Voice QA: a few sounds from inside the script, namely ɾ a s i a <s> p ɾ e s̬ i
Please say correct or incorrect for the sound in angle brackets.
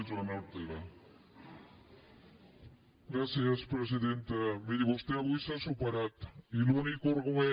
correct